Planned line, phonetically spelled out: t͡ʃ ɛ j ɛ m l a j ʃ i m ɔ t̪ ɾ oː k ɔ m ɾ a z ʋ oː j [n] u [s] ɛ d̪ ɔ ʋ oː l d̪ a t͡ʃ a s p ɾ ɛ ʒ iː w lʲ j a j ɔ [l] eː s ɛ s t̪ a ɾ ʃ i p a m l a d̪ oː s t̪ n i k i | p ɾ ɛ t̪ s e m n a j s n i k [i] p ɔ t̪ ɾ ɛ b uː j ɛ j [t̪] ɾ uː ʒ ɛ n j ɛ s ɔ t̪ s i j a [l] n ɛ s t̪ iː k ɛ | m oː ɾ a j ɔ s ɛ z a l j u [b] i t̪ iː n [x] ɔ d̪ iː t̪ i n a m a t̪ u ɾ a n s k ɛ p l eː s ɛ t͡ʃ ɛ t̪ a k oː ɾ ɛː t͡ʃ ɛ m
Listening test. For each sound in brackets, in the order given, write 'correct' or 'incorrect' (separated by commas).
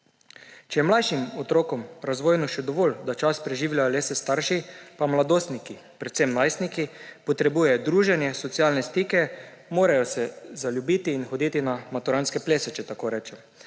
correct, incorrect, correct, correct, incorrect, correct, correct, correct